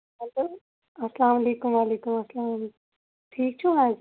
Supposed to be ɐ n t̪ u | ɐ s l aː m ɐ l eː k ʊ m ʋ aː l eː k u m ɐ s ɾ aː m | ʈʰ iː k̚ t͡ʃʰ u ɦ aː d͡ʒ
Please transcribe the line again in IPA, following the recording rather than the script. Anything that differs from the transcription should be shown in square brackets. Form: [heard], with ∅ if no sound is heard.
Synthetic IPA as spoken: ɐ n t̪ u | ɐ s l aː m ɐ l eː k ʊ m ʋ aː l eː k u m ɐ s [l] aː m | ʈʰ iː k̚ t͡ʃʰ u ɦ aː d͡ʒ